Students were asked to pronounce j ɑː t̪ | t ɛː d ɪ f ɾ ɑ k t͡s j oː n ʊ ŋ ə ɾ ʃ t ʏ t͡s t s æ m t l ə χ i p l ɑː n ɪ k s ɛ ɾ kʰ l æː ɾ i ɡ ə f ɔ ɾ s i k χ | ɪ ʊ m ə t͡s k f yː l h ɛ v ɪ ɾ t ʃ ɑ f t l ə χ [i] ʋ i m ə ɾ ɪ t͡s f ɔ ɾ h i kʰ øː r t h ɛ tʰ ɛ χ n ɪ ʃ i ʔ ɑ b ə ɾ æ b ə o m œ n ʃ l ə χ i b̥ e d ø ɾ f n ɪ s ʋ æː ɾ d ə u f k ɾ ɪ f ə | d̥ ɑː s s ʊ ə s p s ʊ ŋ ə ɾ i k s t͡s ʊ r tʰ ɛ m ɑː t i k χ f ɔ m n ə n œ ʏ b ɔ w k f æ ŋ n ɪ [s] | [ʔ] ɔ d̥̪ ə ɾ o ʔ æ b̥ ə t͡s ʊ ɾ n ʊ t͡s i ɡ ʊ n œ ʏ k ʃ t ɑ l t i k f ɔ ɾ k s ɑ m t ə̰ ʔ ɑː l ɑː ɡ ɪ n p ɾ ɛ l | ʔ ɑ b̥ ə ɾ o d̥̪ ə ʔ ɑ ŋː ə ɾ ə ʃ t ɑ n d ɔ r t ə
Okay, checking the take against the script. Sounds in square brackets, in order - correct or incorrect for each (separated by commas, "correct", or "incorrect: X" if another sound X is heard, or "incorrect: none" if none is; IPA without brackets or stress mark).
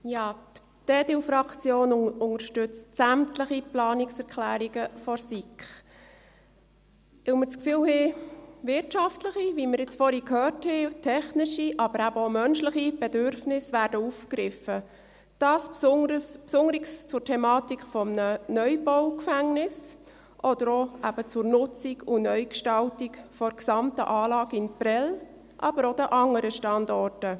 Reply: correct, correct, correct